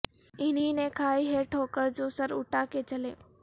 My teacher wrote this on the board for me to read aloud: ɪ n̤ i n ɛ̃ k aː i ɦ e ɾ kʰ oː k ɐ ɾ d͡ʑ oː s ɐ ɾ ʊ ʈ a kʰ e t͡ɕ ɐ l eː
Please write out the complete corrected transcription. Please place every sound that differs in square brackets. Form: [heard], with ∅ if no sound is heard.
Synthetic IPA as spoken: ɪ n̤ i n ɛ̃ [kʰ] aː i ɦ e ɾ [ʈʰ] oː k [ə] ɾ d͡ʑ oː s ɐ ɾ ʊ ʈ a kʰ e t͡ɕ ɐ l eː